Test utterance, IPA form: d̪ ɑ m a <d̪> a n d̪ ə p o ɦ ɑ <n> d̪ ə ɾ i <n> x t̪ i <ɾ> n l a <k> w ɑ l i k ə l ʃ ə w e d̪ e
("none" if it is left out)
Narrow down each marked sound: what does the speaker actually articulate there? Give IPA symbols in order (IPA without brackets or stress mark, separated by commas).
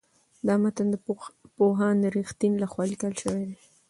t̪, n, none, none, x